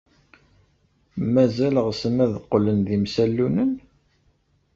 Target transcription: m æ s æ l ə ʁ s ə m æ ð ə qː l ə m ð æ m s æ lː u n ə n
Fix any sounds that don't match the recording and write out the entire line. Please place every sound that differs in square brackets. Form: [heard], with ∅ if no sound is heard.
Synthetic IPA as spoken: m æ [z] æ l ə ʁ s ə m æ ð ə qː l ə [n] ð [i] m s æ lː u n ə n